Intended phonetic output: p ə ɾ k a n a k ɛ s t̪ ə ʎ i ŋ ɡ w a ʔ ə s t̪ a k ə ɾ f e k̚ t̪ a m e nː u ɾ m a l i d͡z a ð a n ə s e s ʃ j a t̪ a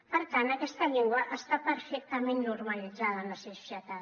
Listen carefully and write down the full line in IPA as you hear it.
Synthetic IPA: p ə ɾ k a n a k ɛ s t̪ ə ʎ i ŋ ɡ w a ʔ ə s t̪ a p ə ɾ f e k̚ t̪ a m e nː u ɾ m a l i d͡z a ð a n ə s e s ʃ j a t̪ a